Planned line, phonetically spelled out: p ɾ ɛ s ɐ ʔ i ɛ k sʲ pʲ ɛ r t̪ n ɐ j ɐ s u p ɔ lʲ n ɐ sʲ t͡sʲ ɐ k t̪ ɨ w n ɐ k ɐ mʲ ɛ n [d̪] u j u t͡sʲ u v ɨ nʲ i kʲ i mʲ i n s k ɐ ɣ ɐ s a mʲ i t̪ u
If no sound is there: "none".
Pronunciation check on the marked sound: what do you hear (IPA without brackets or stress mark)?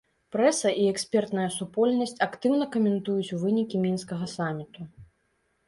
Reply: t̪